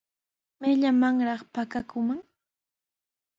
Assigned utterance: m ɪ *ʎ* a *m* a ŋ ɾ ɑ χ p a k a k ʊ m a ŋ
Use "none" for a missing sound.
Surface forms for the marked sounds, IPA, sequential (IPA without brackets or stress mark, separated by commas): ʎ, m